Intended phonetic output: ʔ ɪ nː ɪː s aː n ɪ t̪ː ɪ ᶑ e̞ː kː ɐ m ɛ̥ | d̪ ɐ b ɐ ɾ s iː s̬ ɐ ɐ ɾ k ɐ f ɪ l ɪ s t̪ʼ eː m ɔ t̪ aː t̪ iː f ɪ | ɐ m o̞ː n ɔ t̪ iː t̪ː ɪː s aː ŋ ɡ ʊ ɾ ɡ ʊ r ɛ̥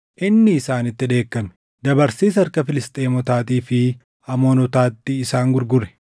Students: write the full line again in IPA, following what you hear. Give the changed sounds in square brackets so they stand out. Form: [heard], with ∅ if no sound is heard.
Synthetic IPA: ʔ ɪ nː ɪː s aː n ɪ t̪ː ɪ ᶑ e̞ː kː ɐ m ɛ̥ | d̪ ɐ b ɐ ɾ s iː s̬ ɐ ɐ ɾ k ɐ f ɪ l ɪ s t̪ʼ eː m ɔ t̪ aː t̪ iː f ɪ | ɐ m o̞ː n ɔ t̪ [aː] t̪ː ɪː s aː ŋ ɡ ʊ ɾ ɡ ʊ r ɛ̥